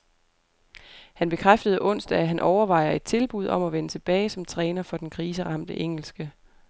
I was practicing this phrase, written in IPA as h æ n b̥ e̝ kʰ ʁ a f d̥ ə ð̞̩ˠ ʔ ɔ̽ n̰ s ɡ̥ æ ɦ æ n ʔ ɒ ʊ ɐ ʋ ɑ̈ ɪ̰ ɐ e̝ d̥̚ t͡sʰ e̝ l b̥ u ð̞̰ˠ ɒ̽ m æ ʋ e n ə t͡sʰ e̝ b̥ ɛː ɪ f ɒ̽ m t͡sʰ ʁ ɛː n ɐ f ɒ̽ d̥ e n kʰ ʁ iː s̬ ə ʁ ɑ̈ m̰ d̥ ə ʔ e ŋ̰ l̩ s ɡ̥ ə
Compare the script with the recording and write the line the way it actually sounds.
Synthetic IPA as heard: h æ n b̥ e̝ kʰ ʁ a f d̥ ə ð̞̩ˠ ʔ ɔ̽ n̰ s d̥ æ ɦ æ n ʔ ɒ ʊ ɐ ʋ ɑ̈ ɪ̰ ɐ e̝ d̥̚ t͡sʰ e̝ l b̥ u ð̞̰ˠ ɒ̽ m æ ʋ e n ə t͡sʰ e̝ b̥ ɛː ɪ s ɒ̽ m t͡sʰ ʁ ɛː n ɐ f ɒ̽ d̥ e n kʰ ʁ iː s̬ ə ʁ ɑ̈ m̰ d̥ ə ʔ e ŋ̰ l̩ s ɡ̥ ə

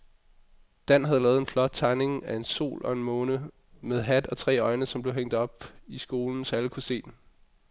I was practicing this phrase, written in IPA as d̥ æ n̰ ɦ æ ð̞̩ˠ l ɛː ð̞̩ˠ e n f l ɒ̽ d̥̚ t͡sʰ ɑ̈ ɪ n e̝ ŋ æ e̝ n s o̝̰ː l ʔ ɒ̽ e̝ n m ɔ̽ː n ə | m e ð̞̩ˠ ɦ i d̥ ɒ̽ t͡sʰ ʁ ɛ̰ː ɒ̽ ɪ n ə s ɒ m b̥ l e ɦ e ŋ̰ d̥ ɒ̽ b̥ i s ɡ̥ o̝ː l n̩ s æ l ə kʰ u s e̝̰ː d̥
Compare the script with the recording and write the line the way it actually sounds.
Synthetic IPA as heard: d̥ æ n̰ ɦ æ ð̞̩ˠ l ɛː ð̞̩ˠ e n f l ɒ̽ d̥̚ t͡sʰ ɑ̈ ɪ n e̝ ŋ æ e̝ n s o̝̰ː l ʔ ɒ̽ e̝ n m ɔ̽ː n ə | m e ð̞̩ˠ ɦ æ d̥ ɒ̽ t͡sʰ ʁ ɛ̰ː ɒ̽ ɪ n ə s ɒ m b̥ l e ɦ e ŋ̰ d̥ ɒ̽ b̥ i s ɡ̥ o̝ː l n̩ s æ l ə kʰ u s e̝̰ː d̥

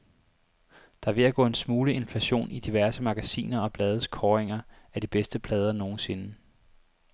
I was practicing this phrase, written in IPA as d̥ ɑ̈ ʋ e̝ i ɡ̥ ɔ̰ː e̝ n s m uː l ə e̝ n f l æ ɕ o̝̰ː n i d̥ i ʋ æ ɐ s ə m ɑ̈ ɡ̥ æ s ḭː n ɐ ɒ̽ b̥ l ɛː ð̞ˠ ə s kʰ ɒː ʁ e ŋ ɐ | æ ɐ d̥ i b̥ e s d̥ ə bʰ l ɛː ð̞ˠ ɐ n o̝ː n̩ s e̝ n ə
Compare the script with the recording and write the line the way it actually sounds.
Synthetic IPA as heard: d̥ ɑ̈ ʋ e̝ æ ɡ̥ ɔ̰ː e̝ n s m uː l ə e̝ n f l æ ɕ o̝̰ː n i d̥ i ʋ æ ɐ s ə m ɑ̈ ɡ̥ æ s ḭː n ɐ ɒ̽ b̥ l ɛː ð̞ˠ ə s kʰ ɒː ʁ e ŋ ɐ | æ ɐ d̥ i b̥ e s d̥ ə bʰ l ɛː ð̞ˠ ɐ n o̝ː n̩ s e̝ n ə

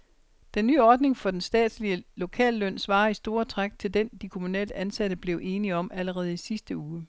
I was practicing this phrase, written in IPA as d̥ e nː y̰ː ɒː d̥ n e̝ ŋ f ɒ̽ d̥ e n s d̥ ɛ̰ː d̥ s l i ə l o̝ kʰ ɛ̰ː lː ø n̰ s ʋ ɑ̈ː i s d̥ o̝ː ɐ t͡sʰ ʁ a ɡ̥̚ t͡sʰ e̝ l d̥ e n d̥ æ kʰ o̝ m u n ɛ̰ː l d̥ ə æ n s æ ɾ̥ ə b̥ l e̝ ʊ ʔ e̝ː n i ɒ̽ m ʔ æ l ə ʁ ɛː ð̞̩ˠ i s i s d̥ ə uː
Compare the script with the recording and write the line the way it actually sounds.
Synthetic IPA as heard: d̥ e nː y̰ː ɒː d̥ n e̝ ŋ f ɒ̽ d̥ e n s d̥ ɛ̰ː d̥ s l i ə l o̝ kʰ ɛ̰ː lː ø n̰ s ʋ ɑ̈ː i s d̥ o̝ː ɐ t͡sʰ ʁ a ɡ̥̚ t͡sʰ e̝ l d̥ e n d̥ i kʰ o̝ m u n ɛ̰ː l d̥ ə æ n s æ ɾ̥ ə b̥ l e̝ ʊ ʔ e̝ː n i ɒ̽ m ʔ æ l ə ʁ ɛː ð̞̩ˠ i s i s d̥ ə uː

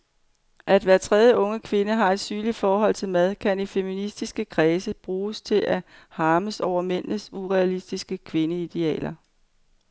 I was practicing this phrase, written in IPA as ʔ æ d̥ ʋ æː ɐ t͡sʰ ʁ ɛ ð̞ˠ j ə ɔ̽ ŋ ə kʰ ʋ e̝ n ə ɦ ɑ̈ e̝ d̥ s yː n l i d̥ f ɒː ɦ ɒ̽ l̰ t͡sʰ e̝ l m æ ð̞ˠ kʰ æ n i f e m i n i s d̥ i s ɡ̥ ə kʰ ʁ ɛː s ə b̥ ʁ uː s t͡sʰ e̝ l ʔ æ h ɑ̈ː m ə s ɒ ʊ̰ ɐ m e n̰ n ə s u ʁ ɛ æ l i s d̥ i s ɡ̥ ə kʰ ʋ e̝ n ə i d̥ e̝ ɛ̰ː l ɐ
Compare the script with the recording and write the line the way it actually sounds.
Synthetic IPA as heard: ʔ æ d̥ ʋ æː ɐ t͡sʰ ʁ ɛ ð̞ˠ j ə ɔ̽ ŋ ə kʰ ʋ e̝ n ə ɦ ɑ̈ e̝ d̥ s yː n l i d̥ f ɒː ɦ ɒ̽ l̰ t͡sʰ e̝ l m æ ð̞ˠ kʰ æ n i f e m i n i s d̥ i s ɡ̥ ə kʰ ʁ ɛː s ə b̥ ʁ uː s t͡sʰ e̝ l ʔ æ h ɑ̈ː m ə s ɒ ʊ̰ ɐ m e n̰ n ə s u ʁ ɛ æ l i s d̥ i s ɡ̥ ə kʰ ʋ e̝ n ə i d̥ e̝ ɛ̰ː l ɐ

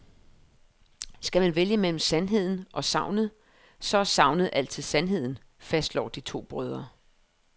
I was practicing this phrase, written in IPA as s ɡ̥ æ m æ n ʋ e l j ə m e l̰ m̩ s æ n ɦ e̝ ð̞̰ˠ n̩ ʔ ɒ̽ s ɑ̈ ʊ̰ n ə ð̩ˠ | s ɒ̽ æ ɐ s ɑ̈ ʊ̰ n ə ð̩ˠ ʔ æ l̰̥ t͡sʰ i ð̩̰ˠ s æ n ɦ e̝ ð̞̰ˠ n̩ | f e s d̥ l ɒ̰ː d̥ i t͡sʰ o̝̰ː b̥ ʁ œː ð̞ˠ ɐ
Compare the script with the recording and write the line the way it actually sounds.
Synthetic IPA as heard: s ɡ̥ æ m æ n ʋ e l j ə m e l̰ m̩ s æ n ɦ e̝ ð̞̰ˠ n̩ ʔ ɒ̽ s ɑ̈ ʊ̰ n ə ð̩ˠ | s ɒ̽ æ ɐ s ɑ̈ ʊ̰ n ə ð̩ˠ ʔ æ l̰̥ t͡sʰ i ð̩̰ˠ s æ n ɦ e̝ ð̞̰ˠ n̩ | f æ s d̥ l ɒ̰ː d̥ i t͡sʰ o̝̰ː b̥ ʁ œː ð̞ˠ ɐ

